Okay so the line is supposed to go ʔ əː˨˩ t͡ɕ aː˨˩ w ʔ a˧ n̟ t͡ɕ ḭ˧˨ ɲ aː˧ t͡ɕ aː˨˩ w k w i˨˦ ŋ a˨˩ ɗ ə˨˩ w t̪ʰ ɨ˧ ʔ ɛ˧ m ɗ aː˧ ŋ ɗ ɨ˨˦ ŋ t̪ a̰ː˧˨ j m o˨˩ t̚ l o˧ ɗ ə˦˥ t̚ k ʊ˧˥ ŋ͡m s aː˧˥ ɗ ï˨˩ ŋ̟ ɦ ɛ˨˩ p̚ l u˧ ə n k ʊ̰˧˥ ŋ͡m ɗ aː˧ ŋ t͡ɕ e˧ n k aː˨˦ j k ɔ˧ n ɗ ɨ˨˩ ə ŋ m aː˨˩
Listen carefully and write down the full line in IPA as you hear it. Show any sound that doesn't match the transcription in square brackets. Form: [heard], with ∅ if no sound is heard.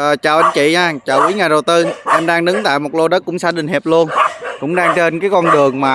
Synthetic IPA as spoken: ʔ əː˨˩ t͡ɕ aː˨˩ w ʔ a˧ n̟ t͡ɕ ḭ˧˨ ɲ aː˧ t͡ɕ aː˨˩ w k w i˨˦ ŋ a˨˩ ɗ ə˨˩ w [t̪] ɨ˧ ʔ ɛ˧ m ɗ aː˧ ŋ ɗ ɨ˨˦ ŋ t̪ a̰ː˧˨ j m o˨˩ t̚ l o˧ ɗ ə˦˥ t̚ k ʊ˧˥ ŋ͡m s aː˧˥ ɗ ï˨˩ ŋ̟ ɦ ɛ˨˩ p̚ l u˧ ə n k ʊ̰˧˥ ŋ͡m ɗ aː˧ ŋ t͡ɕ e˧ n k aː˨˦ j k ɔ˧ n ɗ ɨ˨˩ ə ŋ m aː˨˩